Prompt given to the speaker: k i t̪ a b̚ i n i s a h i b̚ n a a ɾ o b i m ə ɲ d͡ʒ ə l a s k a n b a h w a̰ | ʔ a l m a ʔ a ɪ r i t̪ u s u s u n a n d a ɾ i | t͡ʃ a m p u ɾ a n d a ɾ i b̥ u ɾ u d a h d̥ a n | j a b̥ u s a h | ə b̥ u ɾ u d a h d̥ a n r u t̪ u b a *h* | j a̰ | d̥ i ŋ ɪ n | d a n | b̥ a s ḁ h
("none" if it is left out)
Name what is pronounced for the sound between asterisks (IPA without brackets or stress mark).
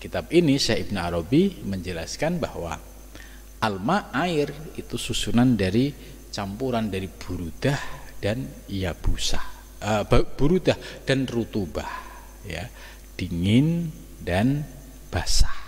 h